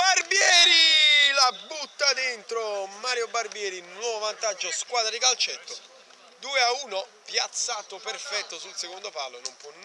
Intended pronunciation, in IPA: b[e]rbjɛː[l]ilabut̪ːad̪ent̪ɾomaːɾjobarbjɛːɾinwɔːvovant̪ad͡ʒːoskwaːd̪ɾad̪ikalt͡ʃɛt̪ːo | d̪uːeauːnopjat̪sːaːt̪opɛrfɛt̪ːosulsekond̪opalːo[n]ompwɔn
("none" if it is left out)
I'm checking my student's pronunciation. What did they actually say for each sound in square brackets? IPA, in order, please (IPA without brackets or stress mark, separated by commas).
a, ɾ, n